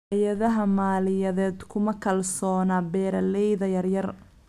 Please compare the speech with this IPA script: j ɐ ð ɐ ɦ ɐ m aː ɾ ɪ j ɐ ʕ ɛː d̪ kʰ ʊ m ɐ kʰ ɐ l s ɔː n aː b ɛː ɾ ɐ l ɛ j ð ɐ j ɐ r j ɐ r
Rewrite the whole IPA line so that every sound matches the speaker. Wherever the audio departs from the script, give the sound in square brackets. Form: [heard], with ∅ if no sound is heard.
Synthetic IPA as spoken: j ɐ ð ɐ ɦ ɐ m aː [l] ɪ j ɐ [ð] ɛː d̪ kʰ ʊ m ɐ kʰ ɐ l s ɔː n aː b ɛː ɾ ɐ l ɛ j ð ɐ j ɐ r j ɐ r

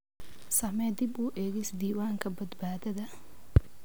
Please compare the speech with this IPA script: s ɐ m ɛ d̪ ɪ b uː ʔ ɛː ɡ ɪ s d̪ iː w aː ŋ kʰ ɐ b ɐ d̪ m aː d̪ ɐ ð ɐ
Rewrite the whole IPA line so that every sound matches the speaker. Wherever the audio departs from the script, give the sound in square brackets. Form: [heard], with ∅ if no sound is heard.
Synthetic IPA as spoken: s ɐ m ɛ d̪ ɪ b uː ʔ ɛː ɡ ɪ s d̪ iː w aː ŋ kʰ ɐ b ɐ d̪ [b] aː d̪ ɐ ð ɐ

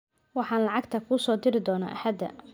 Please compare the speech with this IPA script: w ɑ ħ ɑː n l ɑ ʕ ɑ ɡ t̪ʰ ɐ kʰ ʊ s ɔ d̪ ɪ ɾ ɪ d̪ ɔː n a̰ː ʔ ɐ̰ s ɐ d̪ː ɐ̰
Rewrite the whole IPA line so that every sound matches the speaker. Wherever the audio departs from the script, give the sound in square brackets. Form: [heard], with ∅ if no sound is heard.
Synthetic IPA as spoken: w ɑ ħ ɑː n l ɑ ʕ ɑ ɡ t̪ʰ ɐ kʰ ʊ s [ɔː] d̪ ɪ ɾ ɪ d̪ ɔː n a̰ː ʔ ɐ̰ [ħ] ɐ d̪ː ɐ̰

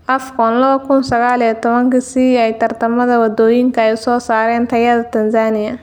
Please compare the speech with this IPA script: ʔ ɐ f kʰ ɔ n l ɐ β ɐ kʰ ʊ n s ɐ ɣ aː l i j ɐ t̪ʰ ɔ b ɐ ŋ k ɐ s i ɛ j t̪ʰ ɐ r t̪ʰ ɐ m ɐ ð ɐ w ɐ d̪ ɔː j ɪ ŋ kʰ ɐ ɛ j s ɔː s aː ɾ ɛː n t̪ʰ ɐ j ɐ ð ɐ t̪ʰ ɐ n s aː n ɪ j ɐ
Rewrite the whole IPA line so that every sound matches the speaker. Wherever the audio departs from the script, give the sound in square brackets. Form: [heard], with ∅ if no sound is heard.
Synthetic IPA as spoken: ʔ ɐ f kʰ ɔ n l ɐ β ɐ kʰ ʊ n s ɐ ɣ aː l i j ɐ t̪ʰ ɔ [β] ɐ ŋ k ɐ s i ɛ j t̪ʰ ɐ r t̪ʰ ɐ m ɐ ð ɐ w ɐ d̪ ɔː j ɪ ŋ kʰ ɐ ɛ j s ɔː s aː ɾ ɛː n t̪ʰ ɐ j ɐ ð ɐ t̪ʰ ɐ n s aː n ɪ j ɐ

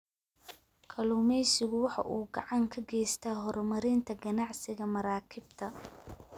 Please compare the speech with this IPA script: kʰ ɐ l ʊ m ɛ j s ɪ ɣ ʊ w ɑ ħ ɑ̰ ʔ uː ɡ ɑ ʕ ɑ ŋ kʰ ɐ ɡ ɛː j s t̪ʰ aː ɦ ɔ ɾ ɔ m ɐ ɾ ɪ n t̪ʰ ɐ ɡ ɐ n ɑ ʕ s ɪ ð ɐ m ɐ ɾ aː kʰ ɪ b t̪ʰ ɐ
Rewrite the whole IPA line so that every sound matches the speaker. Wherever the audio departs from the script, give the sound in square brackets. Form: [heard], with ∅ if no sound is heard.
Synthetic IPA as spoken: kʰ ɐ l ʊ m ɛ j s ɪ ɣ ʊ w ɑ ħ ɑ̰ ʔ uː ɡ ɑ ʕ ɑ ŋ kʰ ɐ ɡ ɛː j s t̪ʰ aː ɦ ɔ ɾ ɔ m ɐ ɾ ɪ n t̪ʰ ɐ ɡ ɐ n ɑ ʕ s ɪ [ɣ] ɐ m ɐ ɾ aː kʰ ɪ b t̪ʰ ɐ

